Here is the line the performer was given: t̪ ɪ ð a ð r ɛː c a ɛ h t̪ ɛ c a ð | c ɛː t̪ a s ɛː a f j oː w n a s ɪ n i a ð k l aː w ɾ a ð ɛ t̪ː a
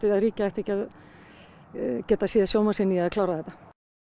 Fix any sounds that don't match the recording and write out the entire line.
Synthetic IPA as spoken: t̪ ɪ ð a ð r iː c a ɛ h t̪ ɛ c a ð | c ɛː t̪ a s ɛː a s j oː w m a s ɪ n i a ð k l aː w ɾ a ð ɛ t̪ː a